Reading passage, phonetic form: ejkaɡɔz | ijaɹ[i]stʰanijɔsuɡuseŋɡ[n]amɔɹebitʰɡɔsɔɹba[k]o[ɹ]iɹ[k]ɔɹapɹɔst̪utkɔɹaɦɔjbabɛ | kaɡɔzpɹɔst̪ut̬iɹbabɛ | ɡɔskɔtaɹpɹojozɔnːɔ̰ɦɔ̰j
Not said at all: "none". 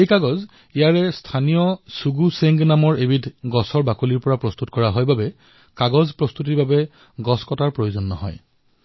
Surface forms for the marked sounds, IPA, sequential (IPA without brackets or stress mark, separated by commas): ɛ, n, k, l, p